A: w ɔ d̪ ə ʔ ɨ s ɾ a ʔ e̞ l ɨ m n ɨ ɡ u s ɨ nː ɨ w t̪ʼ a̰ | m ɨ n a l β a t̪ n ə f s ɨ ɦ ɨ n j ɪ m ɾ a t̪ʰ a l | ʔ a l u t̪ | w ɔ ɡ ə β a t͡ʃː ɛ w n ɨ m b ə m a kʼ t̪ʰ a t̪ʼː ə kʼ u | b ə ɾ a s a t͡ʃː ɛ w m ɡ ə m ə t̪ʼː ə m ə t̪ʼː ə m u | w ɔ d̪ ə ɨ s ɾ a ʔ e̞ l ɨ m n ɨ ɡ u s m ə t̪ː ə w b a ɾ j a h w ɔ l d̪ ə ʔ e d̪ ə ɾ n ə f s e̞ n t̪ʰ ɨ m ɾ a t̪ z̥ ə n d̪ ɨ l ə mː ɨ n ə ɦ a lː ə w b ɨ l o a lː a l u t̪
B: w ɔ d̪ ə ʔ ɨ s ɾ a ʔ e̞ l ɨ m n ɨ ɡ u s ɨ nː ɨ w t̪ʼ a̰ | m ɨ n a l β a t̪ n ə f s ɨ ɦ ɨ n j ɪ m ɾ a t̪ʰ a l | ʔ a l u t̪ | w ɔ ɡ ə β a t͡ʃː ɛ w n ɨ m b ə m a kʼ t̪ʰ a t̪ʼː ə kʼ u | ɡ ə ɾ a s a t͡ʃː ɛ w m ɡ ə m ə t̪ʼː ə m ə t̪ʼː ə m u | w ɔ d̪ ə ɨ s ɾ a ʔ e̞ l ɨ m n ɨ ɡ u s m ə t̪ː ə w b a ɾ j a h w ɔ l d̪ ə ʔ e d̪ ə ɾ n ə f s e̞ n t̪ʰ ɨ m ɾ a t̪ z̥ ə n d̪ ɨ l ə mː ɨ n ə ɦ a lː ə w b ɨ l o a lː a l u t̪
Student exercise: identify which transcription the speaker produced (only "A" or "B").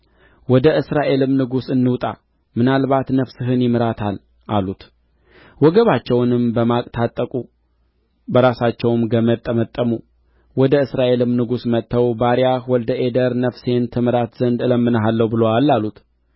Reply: A